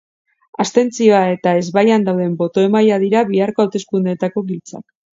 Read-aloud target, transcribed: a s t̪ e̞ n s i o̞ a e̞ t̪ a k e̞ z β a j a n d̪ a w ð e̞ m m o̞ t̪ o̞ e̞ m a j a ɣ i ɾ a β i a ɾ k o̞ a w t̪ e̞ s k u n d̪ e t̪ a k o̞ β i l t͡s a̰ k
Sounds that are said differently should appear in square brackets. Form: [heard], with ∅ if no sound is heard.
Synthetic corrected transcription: a s t̪ e̞ n [t͡s] i o̞ a e̞ t̪ a [∅] e̞ z β a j a n d̪ a w ð e̞ m [b] o̞ t̪ o̞ e̞ m a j a [ð] i ɾ a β i a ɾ k o̞ a w t̪ e̞ s k u n d̪ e t̪ a k o̞ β i l t͡s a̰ k